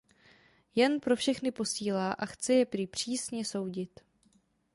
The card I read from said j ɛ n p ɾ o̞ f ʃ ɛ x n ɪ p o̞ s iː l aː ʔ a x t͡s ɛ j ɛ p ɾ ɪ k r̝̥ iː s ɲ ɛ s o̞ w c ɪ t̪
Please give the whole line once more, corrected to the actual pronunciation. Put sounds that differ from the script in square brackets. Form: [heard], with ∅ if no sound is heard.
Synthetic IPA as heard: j ɛ n p ɾ o̞ f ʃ ɛ x n ɪ p o̞ s iː l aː ʔ a x t͡s ɛ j ɛ p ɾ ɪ [p] r̝̥ iː s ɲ ɛ s o̞ w [ɟ] ɪ t̪